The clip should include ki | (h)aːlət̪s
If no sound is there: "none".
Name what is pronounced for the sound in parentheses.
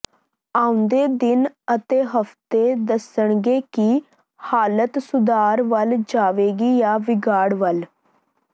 h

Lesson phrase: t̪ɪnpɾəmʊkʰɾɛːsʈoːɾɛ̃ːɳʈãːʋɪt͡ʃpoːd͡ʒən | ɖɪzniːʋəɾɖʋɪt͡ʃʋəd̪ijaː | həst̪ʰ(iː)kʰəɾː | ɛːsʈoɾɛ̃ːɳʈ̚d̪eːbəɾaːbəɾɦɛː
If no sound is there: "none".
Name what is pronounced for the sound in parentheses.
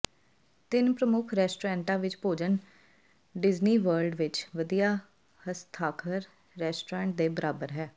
aː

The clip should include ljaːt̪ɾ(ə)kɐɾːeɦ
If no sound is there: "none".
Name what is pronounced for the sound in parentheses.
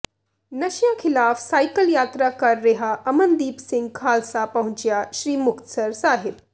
a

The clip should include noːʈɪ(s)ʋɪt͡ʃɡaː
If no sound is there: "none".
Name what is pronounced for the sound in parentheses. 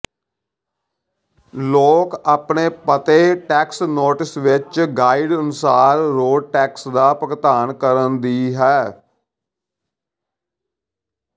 s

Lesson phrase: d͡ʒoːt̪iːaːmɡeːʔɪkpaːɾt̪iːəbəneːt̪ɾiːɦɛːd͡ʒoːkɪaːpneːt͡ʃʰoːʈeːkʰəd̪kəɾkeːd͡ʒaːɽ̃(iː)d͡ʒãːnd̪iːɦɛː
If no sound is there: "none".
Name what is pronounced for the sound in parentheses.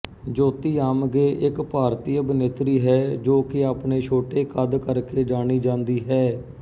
iː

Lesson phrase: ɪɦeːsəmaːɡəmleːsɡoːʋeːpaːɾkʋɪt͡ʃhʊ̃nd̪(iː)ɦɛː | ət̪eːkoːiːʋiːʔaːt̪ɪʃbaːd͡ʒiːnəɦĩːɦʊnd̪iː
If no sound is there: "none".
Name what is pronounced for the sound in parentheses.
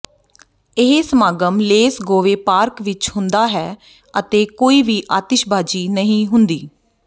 aː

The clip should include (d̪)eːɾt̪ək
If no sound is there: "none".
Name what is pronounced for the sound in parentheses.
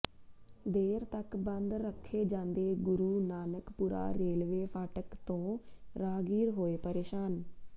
d̪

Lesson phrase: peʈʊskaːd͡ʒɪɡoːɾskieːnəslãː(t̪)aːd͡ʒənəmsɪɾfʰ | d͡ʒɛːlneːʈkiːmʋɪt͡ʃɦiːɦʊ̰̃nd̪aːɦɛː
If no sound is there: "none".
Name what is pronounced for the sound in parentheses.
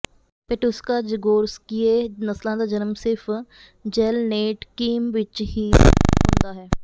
d̪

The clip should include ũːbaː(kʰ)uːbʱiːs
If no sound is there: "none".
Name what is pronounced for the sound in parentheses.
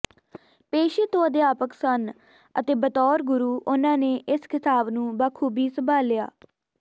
kʰ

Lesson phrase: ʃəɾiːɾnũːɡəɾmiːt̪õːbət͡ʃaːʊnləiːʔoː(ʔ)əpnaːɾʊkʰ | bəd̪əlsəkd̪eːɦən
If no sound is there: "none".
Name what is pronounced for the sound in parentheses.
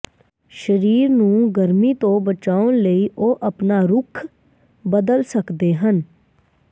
ʔ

